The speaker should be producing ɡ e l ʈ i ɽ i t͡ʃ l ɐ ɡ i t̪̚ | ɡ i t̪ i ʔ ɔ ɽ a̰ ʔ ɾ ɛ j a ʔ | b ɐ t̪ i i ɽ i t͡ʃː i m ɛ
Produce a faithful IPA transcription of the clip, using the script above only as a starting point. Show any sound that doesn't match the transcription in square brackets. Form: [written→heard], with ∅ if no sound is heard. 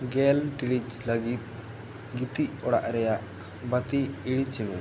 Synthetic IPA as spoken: ɡ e l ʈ i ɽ i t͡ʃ l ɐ ɡ i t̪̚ | ɡ i t̪ i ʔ ɔ ɽ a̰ ʔ ɾ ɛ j a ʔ | b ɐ t̪ i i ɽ i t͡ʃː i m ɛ